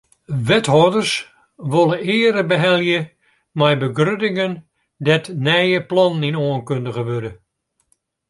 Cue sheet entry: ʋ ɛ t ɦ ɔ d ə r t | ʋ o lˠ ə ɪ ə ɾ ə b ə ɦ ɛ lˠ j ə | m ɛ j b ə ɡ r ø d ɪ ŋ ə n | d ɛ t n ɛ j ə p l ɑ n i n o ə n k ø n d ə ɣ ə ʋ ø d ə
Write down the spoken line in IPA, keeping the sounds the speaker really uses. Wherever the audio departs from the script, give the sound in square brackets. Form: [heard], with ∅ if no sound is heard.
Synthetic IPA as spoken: ʋ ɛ t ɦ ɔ d ə r [s] | ʋ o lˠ ə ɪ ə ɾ ə b ə ɦ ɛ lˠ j ə | m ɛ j b ə ɡ r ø d ɪ ŋ ə n | d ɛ t n ɛ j ə p l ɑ n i n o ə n k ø n d ə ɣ ə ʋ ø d ə